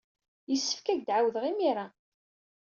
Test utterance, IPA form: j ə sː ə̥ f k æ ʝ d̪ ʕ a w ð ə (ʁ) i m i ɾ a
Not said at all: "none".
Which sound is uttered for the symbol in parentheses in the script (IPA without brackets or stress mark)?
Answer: ʁ